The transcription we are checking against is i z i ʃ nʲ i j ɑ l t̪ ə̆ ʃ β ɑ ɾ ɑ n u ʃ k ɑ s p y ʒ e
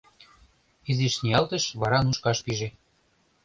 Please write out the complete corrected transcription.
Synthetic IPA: i z i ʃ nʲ i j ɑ l t̪ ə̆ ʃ β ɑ ɾ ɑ n u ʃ k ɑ ʃ p i ʒ e